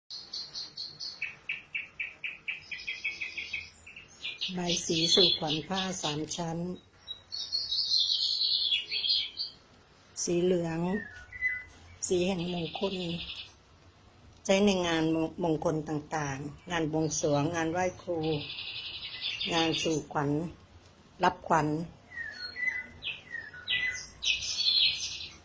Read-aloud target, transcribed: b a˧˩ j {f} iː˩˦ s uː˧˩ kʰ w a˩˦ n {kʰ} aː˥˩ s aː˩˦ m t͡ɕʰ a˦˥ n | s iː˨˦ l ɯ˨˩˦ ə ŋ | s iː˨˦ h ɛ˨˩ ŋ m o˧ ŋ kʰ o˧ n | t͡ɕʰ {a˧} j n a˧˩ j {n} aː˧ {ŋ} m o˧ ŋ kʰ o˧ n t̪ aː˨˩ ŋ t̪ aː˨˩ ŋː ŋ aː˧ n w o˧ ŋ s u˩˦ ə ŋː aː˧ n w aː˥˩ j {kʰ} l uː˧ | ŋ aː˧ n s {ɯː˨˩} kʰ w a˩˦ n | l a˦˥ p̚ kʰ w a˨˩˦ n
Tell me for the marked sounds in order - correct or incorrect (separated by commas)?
incorrect, incorrect, incorrect, incorrect, incorrect, correct, incorrect